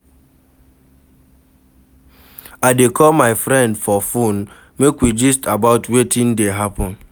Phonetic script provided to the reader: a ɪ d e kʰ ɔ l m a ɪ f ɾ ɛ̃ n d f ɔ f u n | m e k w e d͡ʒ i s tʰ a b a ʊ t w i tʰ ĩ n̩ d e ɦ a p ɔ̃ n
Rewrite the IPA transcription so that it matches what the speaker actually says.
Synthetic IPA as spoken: a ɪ d e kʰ ɔ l m a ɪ f ɾ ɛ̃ n d f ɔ f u n | m e k w i d͡ʒ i s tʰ a b a ʊ t w e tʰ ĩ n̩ d e ɦ a p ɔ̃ n